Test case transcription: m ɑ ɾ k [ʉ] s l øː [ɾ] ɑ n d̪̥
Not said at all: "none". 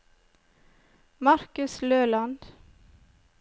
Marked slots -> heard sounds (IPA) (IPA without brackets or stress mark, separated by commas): ʉ, l